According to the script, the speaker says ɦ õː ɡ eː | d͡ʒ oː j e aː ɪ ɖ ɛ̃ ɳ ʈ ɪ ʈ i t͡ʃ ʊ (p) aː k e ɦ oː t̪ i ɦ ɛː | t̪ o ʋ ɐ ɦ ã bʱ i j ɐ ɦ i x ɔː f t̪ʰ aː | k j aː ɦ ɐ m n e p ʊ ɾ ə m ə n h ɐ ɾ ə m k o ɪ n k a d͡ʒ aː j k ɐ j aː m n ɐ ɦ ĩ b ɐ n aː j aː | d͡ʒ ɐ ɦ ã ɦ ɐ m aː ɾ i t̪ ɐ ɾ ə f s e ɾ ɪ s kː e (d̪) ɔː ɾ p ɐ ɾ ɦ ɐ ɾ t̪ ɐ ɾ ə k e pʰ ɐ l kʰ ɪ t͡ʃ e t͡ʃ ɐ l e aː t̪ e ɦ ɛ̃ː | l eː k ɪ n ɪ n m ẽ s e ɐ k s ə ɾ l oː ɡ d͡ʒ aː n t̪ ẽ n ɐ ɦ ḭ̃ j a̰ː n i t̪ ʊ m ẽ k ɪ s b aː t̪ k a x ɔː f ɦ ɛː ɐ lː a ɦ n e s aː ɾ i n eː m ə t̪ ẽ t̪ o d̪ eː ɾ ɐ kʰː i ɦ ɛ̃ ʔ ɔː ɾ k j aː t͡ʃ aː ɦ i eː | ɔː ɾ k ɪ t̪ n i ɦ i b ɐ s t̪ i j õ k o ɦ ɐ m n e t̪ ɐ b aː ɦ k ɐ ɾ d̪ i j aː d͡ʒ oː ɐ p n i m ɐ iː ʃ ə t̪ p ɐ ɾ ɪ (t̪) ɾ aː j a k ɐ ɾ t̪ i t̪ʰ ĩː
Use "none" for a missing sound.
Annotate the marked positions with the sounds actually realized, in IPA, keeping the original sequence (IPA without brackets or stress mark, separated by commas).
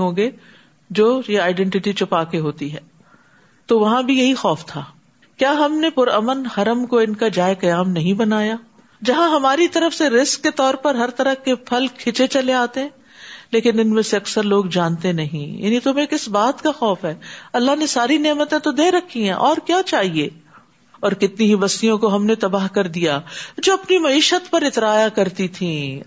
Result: p, t̪, t̪